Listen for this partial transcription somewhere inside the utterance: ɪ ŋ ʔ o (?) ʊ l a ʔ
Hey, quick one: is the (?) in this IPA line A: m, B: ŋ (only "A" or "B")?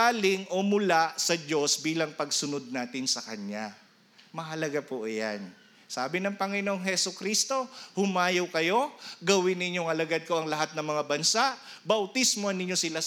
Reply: A